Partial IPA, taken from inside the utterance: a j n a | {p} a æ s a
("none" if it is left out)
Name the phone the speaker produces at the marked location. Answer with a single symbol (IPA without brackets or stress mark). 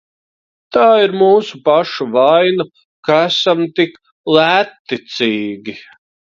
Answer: k